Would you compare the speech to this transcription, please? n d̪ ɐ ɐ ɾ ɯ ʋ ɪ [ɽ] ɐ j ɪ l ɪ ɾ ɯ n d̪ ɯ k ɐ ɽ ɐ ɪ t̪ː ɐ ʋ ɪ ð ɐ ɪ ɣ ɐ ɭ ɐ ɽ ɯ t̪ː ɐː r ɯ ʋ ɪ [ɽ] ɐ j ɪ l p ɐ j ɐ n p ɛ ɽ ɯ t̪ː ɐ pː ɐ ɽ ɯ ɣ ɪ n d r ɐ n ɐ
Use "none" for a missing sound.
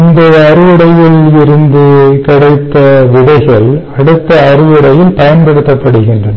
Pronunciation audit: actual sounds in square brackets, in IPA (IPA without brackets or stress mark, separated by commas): ɽ, ɽ